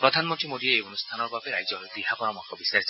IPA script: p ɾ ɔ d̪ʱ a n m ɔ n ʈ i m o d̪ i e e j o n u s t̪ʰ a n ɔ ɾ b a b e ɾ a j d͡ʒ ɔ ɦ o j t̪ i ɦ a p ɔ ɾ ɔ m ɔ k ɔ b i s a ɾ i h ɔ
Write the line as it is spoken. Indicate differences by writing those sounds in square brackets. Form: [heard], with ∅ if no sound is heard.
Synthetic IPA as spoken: p ɾ ɔ d̪ʱ a n m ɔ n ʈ i m o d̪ i e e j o n u s t̪ʰ a n ɔ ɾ b a b e ɾ a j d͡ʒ ɔ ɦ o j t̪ i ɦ a p ɔ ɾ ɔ m ɔ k ɔ b i s a ɾ i [s] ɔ

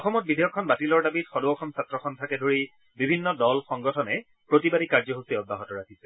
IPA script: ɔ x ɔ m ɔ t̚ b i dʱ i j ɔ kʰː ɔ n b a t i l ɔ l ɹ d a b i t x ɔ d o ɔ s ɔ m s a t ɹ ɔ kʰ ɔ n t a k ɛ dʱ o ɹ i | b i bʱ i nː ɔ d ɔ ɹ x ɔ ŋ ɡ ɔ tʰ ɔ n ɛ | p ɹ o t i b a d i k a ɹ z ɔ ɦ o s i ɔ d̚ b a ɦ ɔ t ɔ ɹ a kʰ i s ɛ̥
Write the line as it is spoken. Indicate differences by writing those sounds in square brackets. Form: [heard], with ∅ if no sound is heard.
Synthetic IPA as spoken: ɔ x ɔ m ɔ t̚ b i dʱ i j ɔ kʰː ɔ n b a t i l ɔ [∅] ɹ d a b i t x ɔ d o ɔ [x] ɔ m s a t ɹ ɔ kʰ ɔ n [tʰ] a k ɛ dʱ o ɹ i | b i bʱ i nː ɔ d ɔ [l] x ɔ ŋ ɡ ɔ tʰ ɔ n ɛ | p ɹ o t i b a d i k a ɹ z ɔ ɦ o s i ɔ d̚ b a ɦ ɔ t ɔ ɹ a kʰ i s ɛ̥

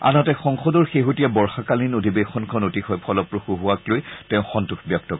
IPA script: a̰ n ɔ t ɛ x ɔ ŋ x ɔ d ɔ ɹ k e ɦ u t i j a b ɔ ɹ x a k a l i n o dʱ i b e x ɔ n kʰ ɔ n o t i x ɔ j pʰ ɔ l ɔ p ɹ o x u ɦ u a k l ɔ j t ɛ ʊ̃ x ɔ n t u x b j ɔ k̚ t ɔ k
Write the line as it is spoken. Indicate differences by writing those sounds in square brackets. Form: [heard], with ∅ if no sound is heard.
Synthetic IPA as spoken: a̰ n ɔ t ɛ x ɔ ŋ x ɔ d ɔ ɹ [x] e ɦ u t i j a b ɔ ɹ x a k a l i n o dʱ i b e x ɔ n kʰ ɔ n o t i x ɔ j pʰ ɔ l ɔ p ɹ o x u ɦ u a k l [o] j t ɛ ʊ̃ x ɔ n t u x b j ɔ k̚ t ɔ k

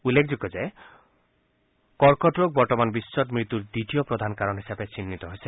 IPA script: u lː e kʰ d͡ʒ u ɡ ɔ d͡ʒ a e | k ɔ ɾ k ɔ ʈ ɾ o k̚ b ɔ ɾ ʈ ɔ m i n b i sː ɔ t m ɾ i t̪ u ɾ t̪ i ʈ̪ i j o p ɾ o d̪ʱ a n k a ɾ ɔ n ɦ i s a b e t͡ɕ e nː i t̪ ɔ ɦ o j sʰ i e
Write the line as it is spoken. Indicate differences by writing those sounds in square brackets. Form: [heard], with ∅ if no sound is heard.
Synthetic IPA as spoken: u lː e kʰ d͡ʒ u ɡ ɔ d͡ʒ a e | k ɔ ɾ k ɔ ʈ ɾ o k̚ b ɔ ɾ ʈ ɔ m [a] n b i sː ɔ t m ɾ i t̪ u ɾ [d̪] i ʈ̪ i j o p ɾ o d̪ʱ a n k a ɾ ɔ n ɦ i s a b e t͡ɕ [i] nː i t̪ ɔ ɦ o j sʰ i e

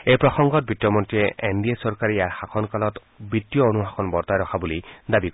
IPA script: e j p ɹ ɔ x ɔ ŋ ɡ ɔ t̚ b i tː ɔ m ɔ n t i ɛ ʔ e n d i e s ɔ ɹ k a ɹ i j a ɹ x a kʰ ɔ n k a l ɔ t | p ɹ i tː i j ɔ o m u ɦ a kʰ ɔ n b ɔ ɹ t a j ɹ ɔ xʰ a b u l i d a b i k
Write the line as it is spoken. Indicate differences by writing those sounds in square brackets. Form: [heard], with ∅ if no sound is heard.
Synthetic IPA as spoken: e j p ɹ ɔ x ɔ ŋ ɡ ɔ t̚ b i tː ɔ m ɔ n t i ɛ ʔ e n d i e s ɔ ɹ k a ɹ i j a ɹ x a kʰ ɔ n k a l ɔ t | [b] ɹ i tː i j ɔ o [n] u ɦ a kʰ ɔ n b ɔ ɹ t a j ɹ ɔ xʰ a b u l i d a b i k

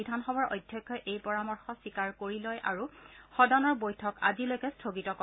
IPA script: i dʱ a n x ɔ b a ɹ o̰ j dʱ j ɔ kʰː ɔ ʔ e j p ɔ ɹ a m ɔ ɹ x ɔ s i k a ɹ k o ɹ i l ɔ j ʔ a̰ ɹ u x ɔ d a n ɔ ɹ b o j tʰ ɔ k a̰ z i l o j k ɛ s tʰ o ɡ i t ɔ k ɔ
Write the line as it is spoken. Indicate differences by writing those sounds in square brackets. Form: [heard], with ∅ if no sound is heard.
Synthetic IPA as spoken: i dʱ a n x ɔ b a ɹ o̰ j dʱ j ɔ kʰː ɔ ʔ e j p ɔ ɹ a m ɔ ɹ x ɔ s i k a ɹ k o ɹ i l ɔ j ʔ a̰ ɹ u x ɔ d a n ɔ ɹ b o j tʰ ɔ k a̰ z i l o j k ɛ s tʰ o ɡ i t ɔ k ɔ

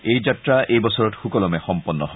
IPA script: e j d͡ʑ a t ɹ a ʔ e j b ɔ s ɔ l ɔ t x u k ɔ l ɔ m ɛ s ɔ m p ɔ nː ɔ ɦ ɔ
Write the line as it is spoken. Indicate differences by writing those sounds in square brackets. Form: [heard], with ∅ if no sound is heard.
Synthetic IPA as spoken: e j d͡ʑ a t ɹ a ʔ e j b ɔ s ɔ [ɹ] ɔ t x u k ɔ l ɔ m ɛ [x] ɔ m p ɔ nː ɔ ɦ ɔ

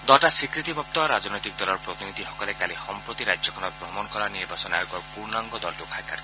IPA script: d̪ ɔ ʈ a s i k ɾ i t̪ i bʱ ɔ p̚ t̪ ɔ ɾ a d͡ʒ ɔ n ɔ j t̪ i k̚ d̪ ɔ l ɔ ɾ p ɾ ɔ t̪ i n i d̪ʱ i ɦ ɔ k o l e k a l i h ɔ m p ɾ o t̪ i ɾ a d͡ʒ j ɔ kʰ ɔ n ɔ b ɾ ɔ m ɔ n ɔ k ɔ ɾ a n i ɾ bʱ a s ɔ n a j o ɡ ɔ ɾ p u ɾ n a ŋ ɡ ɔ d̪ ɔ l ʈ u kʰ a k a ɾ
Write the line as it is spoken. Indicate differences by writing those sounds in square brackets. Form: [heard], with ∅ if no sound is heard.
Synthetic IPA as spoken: d̪ ɔ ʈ a s i k ɾ i t̪ i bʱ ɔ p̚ t̪ ɔ ɾ a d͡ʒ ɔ n ɔ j t̪ i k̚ d̪ ɔ l ɔ ɾ p ɾ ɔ t̪ i n i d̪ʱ i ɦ ɔ k [ɔ] l e k a l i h ɔ m p ɾ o t̪ i ɾ a d͡ʒ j ɔ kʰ ɔ n ɔ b ɾ ɔ m ɔ n ɔ k ɔ ɾ a n i ɾ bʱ a s ɔ n a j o ɡ ɔ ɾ p u ɾ n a ŋ ɡ ɔ d̪ ɔ l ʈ u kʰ a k a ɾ

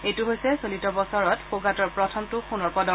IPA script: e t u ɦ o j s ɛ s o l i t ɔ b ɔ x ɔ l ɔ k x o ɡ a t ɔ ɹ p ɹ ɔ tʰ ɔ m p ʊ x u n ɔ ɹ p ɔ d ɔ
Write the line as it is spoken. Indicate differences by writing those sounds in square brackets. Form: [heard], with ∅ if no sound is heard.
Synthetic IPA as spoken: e t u ɦ o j s ɛ s o l i t ɔ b ɔ [s] ɔ [ɹ] ɔ [t] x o ɡ a t ɔ ɹ p ɹ ɔ tʰ ɔ m [t] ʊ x u n ɔ ɹ p ɔ d ɔ

